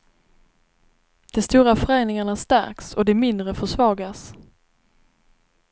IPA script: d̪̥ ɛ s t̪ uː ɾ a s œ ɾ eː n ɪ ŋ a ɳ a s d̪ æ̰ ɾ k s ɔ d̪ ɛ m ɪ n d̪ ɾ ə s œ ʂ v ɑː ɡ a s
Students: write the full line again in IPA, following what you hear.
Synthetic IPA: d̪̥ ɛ s t̪ uː ɾ a f œ ɾ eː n ɪ ŋ a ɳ a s t̪ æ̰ ɾ k s ɔ d̪ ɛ m ɪ n d̪ ɾ ə f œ ʂ v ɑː ɡ a s

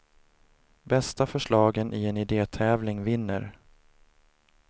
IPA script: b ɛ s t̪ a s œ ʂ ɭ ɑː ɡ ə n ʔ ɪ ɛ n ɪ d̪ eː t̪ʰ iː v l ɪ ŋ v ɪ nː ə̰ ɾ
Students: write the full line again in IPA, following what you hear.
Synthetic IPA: b ɛ s t̪ a f œ ʂ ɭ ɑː ɡ ə n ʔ ɪ ɛ n ɪ d̪ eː t̪ʰ ɛː v l ɪ ŋ v ɪ nː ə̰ ɾ

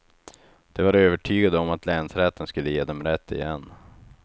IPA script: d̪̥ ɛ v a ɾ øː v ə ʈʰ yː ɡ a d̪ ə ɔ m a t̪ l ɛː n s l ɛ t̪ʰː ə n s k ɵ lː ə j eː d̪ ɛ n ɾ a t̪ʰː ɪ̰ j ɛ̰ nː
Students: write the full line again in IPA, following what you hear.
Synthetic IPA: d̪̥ ɛ v a ɾ øː v ə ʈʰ yː ɡ a d̪ ə ɔ m a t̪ l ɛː n s ɾ ɛ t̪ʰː ə n s k ɵ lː ə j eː d̪ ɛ m ɾ ɛ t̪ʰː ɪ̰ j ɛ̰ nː

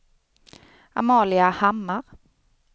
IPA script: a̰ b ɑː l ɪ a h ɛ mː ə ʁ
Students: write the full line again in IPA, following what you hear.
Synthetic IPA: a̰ m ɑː l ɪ a h a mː a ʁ

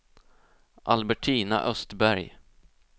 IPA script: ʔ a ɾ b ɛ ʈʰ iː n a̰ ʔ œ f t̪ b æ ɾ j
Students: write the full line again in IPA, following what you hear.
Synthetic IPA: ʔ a l b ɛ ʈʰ iː n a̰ ʔ œ s t̪ b æ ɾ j

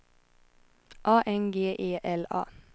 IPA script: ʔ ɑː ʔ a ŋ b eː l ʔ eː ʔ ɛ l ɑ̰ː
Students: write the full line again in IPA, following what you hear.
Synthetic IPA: ʔ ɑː ʔ ɛ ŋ ɡ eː ʔ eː ʔ ɛ l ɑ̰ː

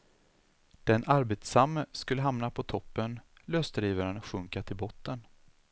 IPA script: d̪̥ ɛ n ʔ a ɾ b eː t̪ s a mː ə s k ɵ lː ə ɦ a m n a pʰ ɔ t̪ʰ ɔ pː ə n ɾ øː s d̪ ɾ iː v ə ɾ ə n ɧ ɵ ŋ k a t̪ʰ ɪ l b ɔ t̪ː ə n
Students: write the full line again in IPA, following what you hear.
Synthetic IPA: d̪̥ ɛ n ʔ a ɾ b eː t̪ s a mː ə s k ɵ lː ə ɦ a m n a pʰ ɔ t̪ʰ ɔ pː ə n l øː s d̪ ɾ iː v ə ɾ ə n ɧ ɵ ŋ k a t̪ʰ ɪ l b ɔ t̪ː ə n

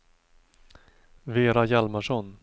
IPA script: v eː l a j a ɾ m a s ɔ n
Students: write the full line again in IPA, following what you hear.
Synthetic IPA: v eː ɾ a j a l m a ʂ ɔ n

